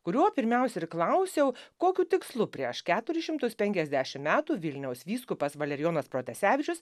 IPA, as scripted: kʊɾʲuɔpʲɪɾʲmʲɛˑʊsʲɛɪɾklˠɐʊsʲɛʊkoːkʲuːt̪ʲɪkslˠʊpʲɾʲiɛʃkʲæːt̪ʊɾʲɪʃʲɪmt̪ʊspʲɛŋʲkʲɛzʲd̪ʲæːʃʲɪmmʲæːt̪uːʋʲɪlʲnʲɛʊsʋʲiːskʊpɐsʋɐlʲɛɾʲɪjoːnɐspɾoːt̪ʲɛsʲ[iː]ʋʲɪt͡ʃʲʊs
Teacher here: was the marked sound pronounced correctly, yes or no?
no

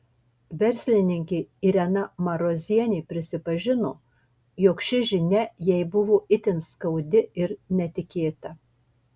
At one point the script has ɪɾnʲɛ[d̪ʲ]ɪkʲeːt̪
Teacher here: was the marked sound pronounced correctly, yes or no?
no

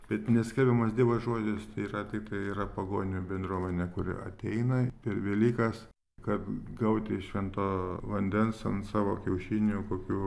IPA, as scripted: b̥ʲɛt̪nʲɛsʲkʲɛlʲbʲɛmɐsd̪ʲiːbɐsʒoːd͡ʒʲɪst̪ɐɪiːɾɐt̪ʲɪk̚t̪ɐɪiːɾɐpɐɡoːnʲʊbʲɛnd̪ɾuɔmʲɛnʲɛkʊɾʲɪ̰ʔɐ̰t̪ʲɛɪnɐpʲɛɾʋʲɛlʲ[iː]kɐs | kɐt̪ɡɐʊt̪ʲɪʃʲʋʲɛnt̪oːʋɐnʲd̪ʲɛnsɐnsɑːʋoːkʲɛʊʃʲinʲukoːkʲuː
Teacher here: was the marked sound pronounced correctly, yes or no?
yes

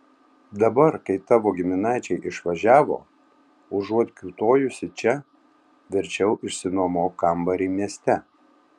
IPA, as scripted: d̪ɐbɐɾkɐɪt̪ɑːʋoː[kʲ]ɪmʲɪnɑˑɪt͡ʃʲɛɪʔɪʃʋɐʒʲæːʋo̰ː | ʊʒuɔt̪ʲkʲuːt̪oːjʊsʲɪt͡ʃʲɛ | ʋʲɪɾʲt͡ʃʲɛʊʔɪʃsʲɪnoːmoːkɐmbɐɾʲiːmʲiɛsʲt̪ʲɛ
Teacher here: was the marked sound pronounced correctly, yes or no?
no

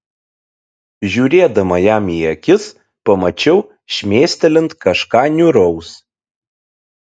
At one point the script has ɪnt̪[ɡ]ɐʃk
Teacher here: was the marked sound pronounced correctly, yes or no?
no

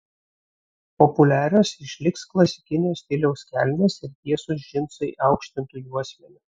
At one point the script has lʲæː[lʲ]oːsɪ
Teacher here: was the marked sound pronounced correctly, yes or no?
no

